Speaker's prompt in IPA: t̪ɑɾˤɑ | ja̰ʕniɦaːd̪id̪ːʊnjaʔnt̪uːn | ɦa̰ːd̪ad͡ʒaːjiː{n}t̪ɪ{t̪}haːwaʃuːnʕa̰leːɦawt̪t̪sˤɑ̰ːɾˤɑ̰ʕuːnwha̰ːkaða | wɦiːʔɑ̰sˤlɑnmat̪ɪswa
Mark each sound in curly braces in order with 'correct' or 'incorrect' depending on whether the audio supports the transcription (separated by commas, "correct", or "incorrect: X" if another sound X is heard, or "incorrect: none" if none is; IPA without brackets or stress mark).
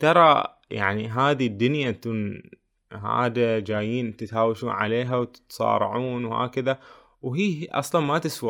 correct, correct